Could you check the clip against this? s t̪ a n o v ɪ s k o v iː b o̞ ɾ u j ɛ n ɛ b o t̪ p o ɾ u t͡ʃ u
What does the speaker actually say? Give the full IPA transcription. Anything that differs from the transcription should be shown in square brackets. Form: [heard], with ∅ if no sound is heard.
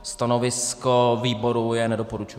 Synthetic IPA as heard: s t̪ a n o v ɪ s k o v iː b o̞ ɾ u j ɛ n ɛ [d] o [∅] p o ɾ u t͡ʃ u